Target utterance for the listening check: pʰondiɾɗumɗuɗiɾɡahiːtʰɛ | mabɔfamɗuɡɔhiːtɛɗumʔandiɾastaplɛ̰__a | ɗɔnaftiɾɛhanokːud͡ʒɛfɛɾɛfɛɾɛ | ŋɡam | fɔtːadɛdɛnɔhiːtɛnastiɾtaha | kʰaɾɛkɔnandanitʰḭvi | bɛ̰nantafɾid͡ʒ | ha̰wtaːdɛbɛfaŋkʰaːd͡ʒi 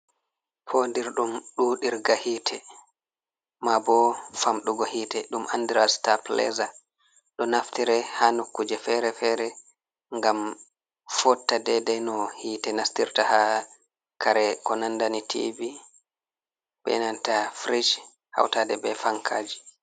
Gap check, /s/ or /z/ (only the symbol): z